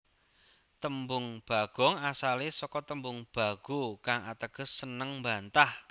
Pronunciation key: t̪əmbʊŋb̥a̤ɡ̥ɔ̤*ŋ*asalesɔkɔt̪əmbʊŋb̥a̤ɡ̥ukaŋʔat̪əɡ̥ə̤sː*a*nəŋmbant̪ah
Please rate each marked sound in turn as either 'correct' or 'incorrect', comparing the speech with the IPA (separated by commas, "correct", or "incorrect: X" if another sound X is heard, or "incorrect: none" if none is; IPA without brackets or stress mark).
correct, incorrect: ə